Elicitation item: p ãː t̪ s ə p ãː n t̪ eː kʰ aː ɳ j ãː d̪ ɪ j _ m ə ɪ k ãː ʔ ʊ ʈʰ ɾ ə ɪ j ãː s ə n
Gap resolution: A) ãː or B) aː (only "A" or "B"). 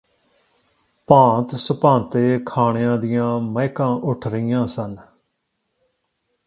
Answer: A